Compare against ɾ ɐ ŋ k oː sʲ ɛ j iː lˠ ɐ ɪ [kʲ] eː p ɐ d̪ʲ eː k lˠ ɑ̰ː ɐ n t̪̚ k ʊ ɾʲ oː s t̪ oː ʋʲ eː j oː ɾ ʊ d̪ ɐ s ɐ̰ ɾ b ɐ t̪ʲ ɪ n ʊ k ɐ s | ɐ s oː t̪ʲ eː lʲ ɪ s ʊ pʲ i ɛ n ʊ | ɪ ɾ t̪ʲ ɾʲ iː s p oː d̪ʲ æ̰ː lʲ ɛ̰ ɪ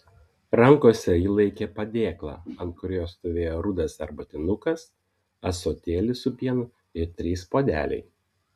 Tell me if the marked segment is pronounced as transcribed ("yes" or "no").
yes